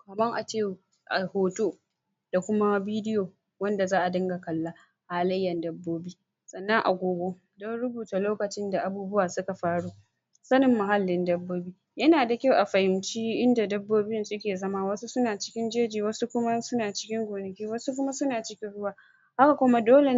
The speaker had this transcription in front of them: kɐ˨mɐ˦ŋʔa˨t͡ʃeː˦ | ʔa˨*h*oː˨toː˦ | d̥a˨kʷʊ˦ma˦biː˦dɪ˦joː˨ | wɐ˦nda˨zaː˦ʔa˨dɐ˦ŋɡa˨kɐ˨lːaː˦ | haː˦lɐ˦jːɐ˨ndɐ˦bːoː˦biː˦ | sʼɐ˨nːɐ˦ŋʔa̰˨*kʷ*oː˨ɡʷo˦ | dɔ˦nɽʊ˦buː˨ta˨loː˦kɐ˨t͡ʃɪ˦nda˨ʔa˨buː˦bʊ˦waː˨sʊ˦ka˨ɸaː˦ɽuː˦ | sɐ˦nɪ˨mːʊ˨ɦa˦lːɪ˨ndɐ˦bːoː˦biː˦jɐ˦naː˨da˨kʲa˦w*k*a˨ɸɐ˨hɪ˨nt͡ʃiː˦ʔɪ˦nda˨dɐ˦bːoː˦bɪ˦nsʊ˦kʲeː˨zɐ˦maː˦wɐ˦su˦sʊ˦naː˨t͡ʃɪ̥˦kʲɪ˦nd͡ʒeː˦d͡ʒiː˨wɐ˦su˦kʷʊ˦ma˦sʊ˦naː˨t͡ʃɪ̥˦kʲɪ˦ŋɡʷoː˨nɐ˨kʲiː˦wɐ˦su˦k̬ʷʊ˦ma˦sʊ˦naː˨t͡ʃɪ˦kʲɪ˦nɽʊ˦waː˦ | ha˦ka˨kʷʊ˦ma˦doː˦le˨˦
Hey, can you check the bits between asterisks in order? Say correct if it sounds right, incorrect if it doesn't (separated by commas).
correct, incorrect, incorrect